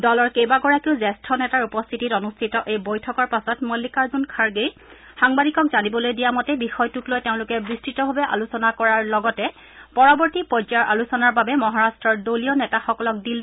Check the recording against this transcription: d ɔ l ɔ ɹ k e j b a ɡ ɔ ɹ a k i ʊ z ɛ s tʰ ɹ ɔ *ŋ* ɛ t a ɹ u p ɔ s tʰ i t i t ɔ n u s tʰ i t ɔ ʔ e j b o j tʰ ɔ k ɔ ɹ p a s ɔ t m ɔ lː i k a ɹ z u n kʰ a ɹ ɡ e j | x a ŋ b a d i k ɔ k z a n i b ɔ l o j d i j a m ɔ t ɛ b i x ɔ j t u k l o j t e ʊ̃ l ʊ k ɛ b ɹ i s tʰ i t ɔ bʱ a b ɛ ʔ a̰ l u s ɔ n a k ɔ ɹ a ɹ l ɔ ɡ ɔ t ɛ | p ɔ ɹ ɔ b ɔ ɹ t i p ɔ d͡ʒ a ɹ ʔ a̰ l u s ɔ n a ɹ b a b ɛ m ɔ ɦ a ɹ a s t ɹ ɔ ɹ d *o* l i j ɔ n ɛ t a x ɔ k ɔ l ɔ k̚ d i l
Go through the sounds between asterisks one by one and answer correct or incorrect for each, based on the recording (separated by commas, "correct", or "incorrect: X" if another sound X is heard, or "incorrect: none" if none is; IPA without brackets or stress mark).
incorrect: n, correct